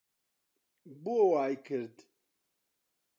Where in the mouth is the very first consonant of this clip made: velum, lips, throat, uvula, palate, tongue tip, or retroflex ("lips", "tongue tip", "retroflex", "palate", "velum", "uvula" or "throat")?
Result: lips